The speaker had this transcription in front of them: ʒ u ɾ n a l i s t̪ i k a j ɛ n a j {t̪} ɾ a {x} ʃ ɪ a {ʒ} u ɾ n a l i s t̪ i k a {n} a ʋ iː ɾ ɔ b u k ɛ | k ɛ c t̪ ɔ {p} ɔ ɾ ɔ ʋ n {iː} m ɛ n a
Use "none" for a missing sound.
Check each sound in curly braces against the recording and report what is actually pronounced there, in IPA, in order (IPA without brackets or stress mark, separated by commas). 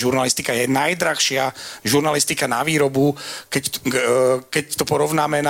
d̪, x, ʒ, n, p, aː